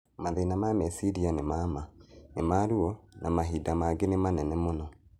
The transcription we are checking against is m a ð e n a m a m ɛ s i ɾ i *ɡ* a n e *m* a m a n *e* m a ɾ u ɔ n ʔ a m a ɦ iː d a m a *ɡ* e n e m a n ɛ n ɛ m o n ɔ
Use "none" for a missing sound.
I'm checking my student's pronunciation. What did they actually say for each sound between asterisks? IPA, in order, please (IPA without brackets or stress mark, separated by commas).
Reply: none, m, e, ɡ